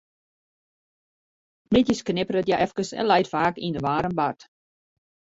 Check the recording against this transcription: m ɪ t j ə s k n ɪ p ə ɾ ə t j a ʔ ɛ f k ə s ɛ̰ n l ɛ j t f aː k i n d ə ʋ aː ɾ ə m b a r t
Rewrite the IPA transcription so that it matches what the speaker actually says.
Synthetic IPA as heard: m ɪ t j ə s k n ɪ p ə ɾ ə t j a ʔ ɛ f k ə s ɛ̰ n l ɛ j t f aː k i n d ə ʋ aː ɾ ə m b a r t

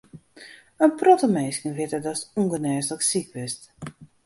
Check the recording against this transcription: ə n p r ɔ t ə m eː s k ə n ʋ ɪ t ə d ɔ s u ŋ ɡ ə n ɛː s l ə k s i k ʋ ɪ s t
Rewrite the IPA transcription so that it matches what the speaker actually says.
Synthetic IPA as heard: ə n p r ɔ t ə m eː s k ə n ʋ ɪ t ə d ɔ s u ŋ ɡ ə n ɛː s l ə k s i k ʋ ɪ s t

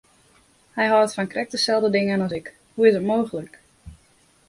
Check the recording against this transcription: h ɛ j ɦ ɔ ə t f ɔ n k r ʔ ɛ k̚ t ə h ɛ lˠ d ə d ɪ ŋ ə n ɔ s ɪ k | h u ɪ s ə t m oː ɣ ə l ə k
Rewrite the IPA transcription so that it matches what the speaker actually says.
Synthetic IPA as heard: h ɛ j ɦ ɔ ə t f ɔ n k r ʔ ɛ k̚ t ə s ɛ lˠ d ə d ɪ ŋ ə n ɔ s ɪ k | h u ɪ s ə t m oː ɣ ə l ə k

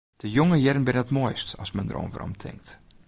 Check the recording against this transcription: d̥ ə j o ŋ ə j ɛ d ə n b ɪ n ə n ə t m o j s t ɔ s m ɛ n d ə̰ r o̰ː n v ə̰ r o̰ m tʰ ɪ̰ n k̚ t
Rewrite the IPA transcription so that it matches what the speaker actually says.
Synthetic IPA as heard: d̥ ə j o ŋ ə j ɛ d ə n b ɪ n ə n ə t m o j s t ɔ s m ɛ n d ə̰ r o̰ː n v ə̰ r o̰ m tʰ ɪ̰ ŋ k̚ t

